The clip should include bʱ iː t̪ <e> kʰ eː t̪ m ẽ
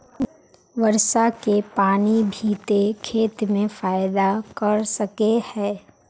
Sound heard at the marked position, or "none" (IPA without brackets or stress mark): e